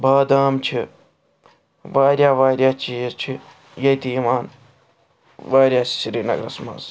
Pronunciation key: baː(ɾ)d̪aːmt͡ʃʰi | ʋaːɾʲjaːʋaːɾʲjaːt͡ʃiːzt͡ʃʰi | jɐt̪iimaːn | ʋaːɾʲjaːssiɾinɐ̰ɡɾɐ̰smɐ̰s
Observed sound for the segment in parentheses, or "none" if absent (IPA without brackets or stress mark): none